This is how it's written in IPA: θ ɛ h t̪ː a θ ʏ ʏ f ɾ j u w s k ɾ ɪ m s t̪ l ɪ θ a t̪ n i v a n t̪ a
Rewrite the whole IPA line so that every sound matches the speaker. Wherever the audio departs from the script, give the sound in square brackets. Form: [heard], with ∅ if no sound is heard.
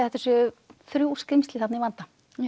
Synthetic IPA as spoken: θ ɛ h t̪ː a [s] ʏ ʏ [θ] ɾ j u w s k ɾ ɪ m s t̪ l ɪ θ a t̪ n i v a n t̪ a